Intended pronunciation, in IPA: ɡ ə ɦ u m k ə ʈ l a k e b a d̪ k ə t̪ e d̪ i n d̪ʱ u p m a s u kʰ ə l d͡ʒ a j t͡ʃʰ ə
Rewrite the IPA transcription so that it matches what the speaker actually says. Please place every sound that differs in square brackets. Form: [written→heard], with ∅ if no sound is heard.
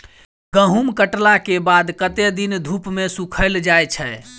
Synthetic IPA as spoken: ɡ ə ɦ u m k ə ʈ l a k e b a d̪ k ə t̪ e d̪ i n d̪ʱ u p m [a→e] s u kʰ ə l d͡ʒ a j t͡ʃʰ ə

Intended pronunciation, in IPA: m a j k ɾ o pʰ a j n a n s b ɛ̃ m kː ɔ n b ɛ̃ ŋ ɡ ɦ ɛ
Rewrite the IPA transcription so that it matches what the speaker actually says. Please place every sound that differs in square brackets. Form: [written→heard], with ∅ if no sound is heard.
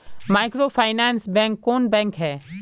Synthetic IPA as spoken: m a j k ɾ o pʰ a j n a n s b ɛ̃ [m→ŋ] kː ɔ n b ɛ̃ ŋ [ɡ→k] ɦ ɛ

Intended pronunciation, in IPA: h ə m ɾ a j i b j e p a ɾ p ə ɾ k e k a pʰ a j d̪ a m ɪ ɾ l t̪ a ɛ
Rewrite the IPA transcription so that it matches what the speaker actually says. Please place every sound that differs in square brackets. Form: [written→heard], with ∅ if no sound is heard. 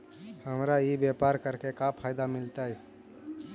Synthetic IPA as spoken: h ə m ɾ a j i b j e p a ɾ [p→k] ə ɾ k e k a pʰ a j d̪ a m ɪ [ɾ→∅] l t̪ a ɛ

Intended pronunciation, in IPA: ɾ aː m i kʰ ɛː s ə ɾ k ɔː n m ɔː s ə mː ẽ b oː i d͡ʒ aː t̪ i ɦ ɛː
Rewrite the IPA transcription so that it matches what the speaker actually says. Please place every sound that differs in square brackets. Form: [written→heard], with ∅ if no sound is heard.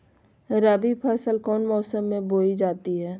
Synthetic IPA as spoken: ɾ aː [m→b] i [kʰ→pʰ] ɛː s ə [ɾ→l] k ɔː n m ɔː s ə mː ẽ b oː i d͡ʒ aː t̪ i ɦ ɛː

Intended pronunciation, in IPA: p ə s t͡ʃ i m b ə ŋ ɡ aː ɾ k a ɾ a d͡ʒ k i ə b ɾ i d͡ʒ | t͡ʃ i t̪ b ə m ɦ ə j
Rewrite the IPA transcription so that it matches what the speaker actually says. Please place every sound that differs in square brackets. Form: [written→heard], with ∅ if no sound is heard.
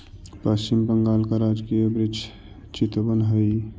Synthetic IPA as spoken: p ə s t͡ʃ i m b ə ŋ ɡ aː [ɾ→l] k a ɾ a d͡ʒ k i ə b ɾ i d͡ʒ | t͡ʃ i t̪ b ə [m→n] ɦ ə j

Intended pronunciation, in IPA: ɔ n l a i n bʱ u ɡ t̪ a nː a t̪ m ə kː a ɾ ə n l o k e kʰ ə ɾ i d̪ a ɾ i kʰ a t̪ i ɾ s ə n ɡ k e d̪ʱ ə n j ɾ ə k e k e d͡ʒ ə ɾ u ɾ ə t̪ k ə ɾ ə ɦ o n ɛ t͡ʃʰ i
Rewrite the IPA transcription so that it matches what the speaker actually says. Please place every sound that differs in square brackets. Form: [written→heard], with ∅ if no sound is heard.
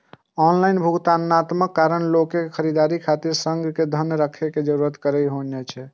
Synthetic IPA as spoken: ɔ n l a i n bʱ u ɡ t̪ a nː a t̪ m ə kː a ɾ ə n l o k e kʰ ə ɾ i d̪ a ɾ i kʰ a t̪ i ɾ s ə [n→ŋ] ɡ k e d̪ʱ ə n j ɾ ə [k→kʰ] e k e d͡ʒ ə ɾ u ɾ ə t̪ k ə ɾ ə ɦ o n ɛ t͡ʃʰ [i→ɛ]

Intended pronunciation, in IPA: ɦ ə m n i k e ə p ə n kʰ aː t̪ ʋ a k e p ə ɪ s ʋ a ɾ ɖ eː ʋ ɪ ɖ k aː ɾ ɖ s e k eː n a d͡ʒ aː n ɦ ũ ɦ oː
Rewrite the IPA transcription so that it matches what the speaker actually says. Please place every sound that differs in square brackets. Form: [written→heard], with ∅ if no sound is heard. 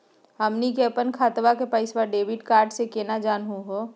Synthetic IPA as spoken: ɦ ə m n i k e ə p ə n kʰ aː t̪ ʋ a k e p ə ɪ s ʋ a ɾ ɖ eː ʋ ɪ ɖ k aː ɾ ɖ s e k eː n a d͡ʒ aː n ɦ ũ ɦ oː

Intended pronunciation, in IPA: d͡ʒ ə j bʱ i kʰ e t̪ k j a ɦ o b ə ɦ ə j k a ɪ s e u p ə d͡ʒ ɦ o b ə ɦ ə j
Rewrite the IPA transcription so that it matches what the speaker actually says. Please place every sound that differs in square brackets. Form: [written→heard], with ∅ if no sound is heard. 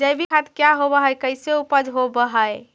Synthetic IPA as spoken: d͡ʒ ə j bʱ i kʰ [e→a] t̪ k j a ɦ o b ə ɦ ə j k [a→ə] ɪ s e u p ə d͡ʒ ɦ o b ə ɦ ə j

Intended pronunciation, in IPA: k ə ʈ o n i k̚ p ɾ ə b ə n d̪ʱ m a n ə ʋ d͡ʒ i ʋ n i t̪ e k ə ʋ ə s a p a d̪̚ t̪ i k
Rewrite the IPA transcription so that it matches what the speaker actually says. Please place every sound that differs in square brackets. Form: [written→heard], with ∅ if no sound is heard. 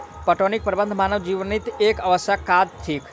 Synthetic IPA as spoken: [k→p] ə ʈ o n i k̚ p ɾ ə b ə n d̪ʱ m a n ə ʋ d͡ʒ i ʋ n i t̪ e k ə ʋ ə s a [p→k] a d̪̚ [t̪→t̪ʰ] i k

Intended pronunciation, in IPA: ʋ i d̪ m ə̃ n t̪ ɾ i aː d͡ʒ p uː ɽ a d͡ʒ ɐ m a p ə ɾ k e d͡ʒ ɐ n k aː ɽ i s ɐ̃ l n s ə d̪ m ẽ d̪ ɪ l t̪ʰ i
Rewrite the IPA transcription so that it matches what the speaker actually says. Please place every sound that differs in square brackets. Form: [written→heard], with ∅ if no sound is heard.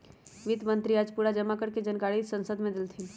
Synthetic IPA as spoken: ʋ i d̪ m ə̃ n t̪ ɾ i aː d͡ʒ p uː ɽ a d͡ʒ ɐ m a [p→k] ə ɾ k e d͡ʒ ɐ n k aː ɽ i s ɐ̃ [l→∅] n s ə d̪ m ẽ d̪ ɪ l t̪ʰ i

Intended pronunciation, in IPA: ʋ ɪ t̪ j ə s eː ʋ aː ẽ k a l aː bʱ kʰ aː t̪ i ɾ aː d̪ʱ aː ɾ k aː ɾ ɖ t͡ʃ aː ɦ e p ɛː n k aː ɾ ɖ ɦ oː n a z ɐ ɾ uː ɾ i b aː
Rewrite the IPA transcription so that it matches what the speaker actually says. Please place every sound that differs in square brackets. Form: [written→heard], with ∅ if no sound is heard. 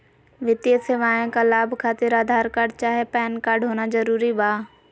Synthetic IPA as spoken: ʋ ɪ t̪ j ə s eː ʋ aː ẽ k a l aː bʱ kʰ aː t̪ [i→ɪ] ɾ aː d̪ʱ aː ɾ k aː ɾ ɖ t͡ʃ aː ɦ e p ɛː n k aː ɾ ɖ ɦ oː n a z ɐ ɾ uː ɾ i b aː

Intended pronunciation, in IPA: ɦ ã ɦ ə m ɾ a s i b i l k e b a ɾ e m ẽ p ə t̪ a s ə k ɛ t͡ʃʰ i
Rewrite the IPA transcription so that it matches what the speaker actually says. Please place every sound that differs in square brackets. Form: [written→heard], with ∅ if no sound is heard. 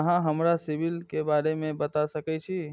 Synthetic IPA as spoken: ɦ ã ɦ ə m ɾ a s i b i l k e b a ɾ e m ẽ [p→b] ə t̪ a s ə k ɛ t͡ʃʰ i

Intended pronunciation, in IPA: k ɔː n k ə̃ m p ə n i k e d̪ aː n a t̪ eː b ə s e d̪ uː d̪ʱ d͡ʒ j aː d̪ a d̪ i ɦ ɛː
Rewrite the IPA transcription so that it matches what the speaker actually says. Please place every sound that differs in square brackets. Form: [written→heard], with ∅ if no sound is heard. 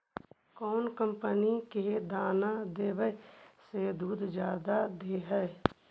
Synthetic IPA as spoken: k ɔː n k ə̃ m p ə n i k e d̪ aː n a [t̪→d̪] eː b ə s e d̪ uː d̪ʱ d͡ʒ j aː d̪ a d̪ [i→e] ɦ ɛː

